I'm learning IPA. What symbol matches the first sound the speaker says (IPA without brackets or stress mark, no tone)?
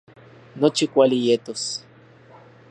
n